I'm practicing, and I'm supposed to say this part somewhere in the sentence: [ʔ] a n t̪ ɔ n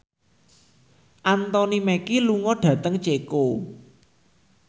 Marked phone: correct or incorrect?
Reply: correct